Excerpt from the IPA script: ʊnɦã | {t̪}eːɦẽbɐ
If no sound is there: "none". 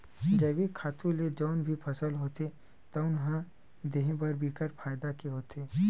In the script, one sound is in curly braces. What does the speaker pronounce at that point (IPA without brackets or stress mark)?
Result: d̪